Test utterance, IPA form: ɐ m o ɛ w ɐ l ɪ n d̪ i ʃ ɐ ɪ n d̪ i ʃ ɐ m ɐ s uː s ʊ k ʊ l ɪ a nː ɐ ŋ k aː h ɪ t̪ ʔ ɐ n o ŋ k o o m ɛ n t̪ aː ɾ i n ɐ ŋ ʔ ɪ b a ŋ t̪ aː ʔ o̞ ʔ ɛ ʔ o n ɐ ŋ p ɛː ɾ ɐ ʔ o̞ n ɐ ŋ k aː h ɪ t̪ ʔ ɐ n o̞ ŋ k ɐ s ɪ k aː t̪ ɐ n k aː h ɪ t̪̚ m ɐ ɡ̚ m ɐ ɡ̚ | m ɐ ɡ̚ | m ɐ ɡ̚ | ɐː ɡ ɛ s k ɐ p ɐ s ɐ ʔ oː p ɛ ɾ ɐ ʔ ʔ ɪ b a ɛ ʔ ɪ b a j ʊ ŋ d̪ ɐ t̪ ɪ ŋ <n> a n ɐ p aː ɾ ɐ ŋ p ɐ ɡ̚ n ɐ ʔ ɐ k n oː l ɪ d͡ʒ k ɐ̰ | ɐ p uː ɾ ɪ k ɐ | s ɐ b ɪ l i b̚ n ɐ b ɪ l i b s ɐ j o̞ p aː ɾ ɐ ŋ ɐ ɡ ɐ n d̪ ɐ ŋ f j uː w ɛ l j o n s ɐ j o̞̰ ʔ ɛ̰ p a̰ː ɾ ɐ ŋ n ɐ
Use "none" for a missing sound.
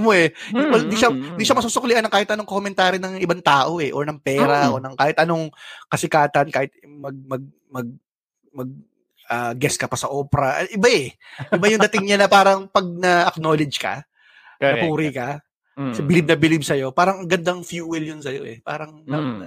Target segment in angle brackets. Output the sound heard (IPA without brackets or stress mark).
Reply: ɲ